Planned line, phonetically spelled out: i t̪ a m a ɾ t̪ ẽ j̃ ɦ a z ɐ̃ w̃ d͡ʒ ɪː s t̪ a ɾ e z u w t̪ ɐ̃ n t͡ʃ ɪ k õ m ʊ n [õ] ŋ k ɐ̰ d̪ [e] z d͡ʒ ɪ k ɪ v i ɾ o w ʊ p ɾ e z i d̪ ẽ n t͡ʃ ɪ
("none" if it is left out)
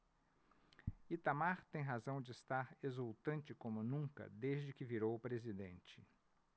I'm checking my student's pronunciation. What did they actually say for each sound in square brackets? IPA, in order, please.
ũ, e

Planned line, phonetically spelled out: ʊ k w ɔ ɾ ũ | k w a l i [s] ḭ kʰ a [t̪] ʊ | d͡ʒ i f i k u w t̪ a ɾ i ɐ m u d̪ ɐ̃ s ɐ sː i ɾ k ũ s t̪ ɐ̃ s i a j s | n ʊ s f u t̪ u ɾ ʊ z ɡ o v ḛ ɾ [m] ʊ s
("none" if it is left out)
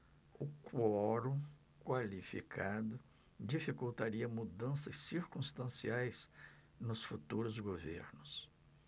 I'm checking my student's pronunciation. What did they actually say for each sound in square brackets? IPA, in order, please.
f, d̪, n

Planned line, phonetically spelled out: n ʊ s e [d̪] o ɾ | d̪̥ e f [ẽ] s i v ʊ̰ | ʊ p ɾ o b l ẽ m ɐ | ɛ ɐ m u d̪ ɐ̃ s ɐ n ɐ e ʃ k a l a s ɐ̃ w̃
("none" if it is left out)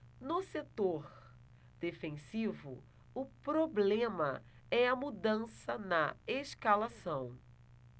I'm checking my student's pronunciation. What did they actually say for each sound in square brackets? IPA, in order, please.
t̪, ẽ

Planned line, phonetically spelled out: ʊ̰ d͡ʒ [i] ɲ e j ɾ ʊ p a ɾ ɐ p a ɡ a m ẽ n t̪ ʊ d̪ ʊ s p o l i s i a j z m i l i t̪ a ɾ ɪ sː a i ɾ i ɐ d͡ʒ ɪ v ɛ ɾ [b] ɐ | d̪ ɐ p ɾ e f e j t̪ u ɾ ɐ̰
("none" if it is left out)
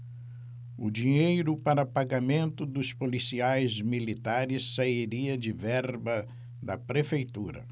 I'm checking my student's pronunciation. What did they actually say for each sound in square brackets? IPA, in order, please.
i, b

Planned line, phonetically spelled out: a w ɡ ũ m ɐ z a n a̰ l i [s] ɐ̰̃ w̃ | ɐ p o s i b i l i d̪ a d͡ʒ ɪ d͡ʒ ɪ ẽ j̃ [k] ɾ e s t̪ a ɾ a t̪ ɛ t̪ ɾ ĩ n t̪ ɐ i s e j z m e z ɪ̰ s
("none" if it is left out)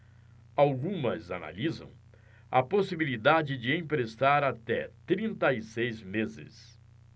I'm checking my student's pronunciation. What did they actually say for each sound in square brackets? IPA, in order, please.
z, p

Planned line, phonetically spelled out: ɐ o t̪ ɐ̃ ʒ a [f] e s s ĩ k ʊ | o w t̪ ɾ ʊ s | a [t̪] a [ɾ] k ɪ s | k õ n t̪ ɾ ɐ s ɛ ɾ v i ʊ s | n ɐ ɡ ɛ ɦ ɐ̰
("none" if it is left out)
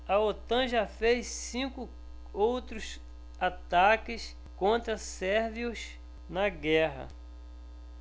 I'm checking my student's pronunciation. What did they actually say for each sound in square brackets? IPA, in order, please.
f, t̪, none

